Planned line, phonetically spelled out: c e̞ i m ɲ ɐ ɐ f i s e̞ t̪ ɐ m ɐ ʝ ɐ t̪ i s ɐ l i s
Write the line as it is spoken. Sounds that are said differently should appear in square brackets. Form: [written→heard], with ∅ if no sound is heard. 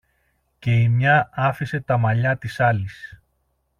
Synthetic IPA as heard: c e̞ i m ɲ ɐ ɐ f i s e̞ t̪ ɐ m ɐ [ʝ→ʎ] ɐ t̪ i s ɐ l i s